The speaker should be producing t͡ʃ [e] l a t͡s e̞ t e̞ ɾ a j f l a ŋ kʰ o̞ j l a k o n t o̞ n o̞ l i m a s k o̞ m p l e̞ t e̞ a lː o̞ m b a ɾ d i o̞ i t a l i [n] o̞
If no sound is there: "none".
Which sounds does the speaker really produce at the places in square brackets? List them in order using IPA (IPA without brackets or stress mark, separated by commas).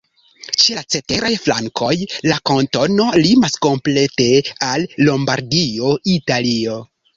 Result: e, none